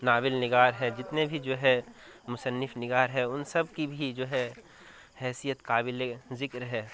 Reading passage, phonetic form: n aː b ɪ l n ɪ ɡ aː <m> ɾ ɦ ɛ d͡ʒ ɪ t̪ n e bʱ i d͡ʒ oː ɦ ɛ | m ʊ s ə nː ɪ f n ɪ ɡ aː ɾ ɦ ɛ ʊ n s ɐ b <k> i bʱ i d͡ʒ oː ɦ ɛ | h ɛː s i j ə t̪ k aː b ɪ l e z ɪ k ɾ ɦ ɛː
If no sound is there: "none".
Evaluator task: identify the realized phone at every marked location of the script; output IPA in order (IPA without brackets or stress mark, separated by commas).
none, k